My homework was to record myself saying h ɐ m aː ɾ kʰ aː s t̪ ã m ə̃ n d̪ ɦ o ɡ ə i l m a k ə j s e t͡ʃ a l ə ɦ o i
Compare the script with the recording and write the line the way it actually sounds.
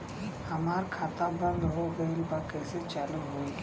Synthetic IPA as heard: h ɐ m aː ɾ kʰ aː t̪ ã b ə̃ n d̪ ɦ o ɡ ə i l b a k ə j s e t͡ʃ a l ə ɦ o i